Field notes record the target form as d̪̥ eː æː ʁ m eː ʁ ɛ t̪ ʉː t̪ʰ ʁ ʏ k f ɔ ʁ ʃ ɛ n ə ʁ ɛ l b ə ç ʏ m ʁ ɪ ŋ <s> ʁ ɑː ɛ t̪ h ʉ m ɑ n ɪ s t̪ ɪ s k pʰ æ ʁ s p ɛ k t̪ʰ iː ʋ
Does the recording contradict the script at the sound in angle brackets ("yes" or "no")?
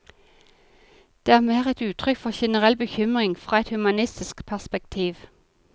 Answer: yes